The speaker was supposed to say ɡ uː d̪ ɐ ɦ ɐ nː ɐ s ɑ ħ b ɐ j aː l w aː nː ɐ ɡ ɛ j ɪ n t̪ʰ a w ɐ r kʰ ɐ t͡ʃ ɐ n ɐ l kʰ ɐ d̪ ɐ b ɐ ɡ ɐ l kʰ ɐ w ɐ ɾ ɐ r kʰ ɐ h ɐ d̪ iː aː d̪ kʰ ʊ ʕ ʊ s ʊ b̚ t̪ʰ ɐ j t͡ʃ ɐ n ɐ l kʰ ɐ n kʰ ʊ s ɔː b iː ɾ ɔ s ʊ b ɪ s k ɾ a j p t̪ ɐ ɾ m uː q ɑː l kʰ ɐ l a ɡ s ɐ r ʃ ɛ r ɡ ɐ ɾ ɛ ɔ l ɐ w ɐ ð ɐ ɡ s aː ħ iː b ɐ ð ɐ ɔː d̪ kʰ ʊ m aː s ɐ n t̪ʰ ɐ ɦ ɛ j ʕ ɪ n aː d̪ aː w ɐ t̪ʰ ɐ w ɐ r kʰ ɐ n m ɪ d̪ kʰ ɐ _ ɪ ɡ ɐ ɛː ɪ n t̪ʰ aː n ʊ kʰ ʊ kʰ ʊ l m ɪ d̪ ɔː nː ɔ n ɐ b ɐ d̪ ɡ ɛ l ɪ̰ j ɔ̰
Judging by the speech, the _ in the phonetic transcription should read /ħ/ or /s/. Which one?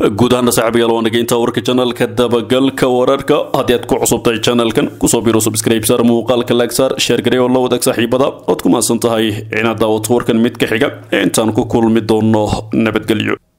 ħ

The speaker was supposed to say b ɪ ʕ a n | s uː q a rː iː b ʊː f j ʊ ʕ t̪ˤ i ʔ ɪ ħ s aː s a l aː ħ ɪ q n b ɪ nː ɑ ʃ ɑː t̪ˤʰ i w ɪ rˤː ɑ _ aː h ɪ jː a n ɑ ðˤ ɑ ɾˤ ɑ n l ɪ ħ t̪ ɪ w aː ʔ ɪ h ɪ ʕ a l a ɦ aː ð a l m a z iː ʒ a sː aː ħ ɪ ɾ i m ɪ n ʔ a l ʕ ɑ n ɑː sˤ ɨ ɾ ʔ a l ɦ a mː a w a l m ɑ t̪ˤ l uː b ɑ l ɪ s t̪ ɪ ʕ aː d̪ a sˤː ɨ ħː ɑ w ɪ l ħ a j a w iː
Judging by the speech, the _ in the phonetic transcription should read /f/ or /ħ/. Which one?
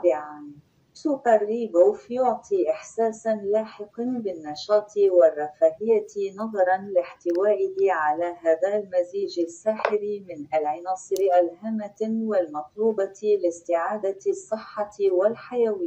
f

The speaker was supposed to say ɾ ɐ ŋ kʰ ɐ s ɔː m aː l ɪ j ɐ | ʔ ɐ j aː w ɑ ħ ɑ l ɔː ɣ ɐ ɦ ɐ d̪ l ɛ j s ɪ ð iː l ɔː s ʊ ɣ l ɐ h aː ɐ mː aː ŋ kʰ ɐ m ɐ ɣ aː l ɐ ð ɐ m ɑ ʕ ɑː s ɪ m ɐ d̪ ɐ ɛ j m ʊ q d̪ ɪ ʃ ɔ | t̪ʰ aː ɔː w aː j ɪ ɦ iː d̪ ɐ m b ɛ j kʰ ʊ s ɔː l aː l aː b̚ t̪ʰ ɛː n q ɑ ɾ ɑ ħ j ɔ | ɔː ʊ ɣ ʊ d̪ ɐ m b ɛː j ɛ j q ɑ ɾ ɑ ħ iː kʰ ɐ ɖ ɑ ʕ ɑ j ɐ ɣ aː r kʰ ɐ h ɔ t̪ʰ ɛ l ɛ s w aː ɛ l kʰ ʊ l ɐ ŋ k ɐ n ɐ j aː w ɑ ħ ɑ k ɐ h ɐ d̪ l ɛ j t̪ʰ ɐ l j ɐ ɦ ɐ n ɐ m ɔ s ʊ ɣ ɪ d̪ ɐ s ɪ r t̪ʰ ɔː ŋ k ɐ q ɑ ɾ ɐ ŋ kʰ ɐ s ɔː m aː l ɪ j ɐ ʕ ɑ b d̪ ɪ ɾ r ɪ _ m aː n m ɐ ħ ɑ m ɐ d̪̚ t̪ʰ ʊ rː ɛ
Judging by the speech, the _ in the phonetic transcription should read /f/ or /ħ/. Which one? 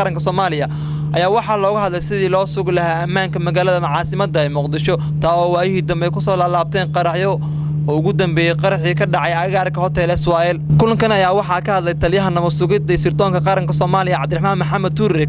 ħ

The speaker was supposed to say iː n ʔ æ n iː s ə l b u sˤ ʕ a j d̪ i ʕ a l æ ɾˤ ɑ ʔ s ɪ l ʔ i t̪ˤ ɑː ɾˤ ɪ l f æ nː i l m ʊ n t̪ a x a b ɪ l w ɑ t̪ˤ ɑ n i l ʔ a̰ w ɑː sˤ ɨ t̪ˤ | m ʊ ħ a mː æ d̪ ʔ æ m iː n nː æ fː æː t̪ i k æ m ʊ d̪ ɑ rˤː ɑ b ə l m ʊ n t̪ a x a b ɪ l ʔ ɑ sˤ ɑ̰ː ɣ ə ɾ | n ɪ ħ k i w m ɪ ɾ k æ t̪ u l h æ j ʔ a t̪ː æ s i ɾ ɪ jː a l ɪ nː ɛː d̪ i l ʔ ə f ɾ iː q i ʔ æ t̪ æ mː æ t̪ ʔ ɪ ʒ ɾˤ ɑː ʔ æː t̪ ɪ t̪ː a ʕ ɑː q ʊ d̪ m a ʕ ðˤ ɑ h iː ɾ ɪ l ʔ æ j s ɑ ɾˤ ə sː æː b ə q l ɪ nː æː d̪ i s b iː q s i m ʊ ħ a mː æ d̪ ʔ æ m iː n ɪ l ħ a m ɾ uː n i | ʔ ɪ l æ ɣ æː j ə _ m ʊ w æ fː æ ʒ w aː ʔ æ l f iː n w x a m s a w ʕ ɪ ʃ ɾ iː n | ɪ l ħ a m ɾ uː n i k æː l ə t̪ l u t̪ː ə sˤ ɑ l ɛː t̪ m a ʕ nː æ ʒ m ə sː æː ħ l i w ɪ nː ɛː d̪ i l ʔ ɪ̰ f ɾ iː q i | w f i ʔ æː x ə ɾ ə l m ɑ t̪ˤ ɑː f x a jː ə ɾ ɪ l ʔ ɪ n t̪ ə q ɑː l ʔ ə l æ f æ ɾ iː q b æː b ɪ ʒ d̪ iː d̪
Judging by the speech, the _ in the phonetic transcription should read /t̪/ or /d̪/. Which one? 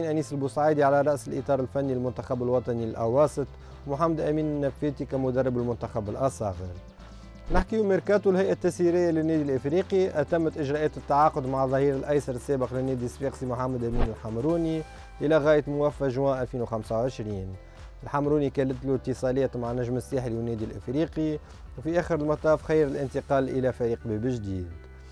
t̪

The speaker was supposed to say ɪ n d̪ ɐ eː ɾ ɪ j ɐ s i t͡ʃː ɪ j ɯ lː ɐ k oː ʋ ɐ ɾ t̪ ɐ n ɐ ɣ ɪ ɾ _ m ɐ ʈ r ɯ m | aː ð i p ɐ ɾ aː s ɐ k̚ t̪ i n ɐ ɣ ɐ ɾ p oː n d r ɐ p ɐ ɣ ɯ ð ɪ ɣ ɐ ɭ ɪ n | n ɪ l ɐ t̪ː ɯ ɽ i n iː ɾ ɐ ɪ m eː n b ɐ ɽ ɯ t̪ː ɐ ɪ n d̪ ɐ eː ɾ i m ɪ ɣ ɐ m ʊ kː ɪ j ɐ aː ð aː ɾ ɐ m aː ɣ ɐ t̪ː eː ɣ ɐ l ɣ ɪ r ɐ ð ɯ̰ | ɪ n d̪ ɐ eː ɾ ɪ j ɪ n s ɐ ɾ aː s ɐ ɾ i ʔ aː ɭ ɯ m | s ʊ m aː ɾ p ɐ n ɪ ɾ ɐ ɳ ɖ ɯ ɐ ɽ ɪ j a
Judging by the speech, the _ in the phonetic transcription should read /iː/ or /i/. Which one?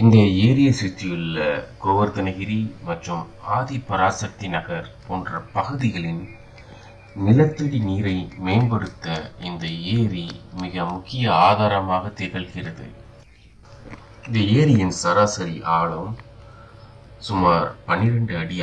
i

